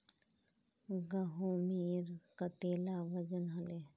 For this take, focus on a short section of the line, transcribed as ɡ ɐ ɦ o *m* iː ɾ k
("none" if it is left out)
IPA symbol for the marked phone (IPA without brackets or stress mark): m